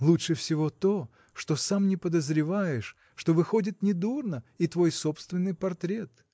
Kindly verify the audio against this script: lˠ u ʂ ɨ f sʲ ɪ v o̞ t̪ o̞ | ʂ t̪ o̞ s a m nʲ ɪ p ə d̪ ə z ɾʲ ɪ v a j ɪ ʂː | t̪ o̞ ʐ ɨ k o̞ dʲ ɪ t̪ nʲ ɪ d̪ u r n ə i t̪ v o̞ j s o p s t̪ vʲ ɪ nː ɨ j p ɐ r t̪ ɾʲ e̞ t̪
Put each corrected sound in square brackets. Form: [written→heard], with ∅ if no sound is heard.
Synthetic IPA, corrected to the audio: lˠ u ʂ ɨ f sʲ ɪ v o̞ t̪ o̞ | ʂ t̪ o̞ s a m nʲ ɪ p ə d̪ ə z ɾʲ ɪ v a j ɪ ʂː | t̪ o̞ [ʐ→v] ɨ [k→x] o̞ dʲ ɪ t̪ nʲ ɪ d̪ u r n ə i t̪ v o̞ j s o p s t̪ vʲ ɪ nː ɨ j p ɐ r t̪ ɾʲ e̞ t̪